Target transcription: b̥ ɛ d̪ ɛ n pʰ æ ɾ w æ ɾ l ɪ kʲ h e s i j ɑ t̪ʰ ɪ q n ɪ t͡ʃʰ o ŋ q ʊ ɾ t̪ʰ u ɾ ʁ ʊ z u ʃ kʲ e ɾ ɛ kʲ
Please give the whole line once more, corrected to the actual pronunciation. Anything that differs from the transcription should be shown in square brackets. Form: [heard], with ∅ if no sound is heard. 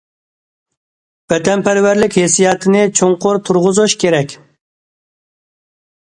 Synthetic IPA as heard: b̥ ɛ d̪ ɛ n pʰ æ ɾ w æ ɾ l ɪ kʲ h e s i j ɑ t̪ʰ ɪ [∅] n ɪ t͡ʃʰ o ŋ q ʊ ɾ t̪ʰ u ɾ ʁ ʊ z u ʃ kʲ e ɾ ɛ kʲ